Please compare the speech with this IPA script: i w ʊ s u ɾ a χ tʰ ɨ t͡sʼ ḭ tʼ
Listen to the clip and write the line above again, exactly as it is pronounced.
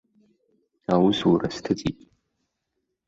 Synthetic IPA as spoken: a w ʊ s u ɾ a s tʰ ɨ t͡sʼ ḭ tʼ